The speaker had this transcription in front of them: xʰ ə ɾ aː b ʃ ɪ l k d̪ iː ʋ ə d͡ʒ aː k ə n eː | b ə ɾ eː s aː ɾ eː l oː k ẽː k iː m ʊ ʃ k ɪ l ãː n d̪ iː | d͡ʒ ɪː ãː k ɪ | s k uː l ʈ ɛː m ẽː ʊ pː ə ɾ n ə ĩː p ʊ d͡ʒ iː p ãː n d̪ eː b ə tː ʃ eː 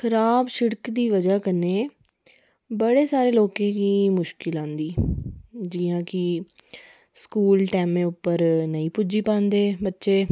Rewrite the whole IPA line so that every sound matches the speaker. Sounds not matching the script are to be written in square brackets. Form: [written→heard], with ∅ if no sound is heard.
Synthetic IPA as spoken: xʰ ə ɾ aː b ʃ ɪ [l→ɽ] k d̪ iː ʋ ə d͡ʒ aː k ə n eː | b ə [ɾ→ɽ] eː s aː ɾ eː l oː k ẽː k iː m ʊ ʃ k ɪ l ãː n d̪ iː | d͡ʒ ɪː ãː k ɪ | s k uː l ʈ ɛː m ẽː ʊ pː ə ɾ n ə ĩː p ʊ d͡ʒ iː p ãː n d̪ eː b ə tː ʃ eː